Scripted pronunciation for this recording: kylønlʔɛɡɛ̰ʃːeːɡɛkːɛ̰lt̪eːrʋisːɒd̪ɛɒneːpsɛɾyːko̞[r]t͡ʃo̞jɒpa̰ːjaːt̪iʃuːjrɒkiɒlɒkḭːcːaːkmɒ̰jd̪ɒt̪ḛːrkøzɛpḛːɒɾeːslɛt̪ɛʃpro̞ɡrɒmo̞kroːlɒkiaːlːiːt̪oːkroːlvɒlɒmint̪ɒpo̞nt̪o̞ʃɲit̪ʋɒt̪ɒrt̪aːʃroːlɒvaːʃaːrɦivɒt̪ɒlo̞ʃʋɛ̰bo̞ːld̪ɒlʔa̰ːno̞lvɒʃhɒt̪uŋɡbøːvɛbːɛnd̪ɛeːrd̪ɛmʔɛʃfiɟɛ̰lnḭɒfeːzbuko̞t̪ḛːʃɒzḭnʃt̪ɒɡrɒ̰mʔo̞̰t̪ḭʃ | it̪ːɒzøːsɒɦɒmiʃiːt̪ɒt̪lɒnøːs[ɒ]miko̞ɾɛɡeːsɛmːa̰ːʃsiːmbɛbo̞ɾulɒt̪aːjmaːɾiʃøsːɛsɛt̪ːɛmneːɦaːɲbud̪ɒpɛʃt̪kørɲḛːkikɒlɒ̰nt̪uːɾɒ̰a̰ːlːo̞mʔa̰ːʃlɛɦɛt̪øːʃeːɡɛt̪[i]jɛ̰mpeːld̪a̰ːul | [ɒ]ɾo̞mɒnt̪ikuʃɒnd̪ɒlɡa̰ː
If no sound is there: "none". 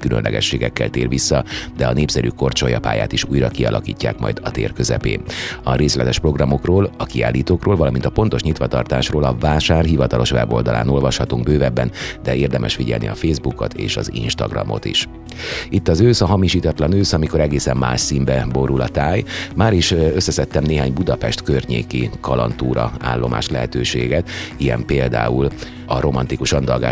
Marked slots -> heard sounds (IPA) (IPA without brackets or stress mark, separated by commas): r, ɒ, i, ɒ